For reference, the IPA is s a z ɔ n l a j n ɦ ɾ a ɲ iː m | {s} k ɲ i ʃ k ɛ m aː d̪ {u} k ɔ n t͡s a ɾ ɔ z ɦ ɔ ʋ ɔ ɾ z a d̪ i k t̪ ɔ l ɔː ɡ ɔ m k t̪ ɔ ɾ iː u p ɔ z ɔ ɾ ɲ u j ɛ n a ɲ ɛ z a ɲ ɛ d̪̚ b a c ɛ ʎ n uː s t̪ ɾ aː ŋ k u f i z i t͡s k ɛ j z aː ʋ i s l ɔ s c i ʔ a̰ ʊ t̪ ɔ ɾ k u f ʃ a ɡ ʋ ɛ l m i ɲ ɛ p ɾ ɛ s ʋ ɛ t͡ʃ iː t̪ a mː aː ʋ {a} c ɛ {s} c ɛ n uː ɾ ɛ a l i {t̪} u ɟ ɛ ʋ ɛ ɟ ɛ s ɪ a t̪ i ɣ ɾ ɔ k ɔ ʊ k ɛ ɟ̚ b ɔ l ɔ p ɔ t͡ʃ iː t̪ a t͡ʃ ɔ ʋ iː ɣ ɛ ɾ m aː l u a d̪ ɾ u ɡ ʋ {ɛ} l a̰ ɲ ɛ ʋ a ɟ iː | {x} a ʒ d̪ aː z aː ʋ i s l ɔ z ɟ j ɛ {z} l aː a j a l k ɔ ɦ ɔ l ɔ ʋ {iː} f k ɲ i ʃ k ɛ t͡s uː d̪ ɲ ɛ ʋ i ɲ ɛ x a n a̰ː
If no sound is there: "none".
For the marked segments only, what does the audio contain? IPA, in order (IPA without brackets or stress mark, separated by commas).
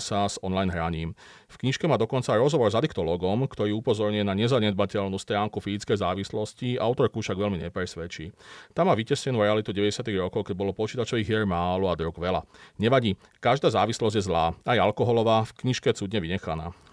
f, ɔ, i, s, t̪, ɛ, k, z, aː